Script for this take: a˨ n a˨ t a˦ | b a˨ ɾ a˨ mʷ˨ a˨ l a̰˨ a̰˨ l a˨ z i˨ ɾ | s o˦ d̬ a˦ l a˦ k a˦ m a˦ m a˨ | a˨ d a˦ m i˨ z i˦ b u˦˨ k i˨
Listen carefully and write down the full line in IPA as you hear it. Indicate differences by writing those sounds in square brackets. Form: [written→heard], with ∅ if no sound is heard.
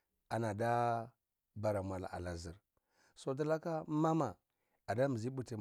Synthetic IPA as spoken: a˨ n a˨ [t→d] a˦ | b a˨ ɾ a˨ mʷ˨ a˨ l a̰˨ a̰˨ l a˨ z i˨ ɾ | s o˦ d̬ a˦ l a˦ k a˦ m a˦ m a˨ | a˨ d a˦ m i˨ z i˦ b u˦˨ [k→t] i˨